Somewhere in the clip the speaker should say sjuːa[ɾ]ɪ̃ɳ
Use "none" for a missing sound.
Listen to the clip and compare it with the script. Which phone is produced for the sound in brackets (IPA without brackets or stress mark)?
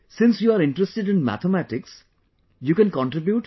ɾ